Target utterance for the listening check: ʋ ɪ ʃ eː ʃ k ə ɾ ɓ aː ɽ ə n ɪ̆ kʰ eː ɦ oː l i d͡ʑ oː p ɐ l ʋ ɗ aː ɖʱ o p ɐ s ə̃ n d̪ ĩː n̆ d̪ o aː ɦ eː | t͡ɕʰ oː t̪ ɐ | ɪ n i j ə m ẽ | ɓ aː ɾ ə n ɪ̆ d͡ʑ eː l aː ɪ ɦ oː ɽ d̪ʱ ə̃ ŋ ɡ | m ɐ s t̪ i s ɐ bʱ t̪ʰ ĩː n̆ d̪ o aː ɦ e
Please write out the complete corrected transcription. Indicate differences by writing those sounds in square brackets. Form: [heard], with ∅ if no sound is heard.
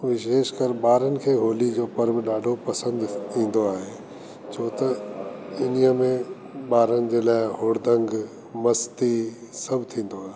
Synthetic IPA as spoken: ʋ ɪ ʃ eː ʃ k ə ɾ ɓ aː [ɾ] ə n ɪ̆ kʰ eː ɦ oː l i d͡ʑ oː p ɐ [ɾ] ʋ ɗ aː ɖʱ o p ɐ s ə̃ n d̪ ĩː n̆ d̪ o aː ɦ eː | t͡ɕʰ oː t̪ ɐ | ɪ n i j ə m ẽ | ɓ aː ɾ ə n ɪ̆ d͡ʑ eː l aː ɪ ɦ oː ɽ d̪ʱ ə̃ ŋ ɡ | m ɐ s t̪ i s ɐ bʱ t̪ʰ ĩː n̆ d̪ o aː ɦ e